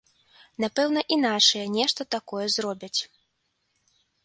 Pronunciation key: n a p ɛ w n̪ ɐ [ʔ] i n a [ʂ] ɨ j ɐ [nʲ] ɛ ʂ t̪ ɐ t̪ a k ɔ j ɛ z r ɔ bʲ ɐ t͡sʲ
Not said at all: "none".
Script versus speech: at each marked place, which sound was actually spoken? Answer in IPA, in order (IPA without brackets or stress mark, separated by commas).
ʔ, t͡ʂ, nʲ